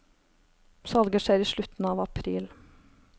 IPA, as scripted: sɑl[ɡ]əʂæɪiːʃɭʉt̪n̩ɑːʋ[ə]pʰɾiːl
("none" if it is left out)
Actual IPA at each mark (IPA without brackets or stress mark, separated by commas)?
ɡ, ɑ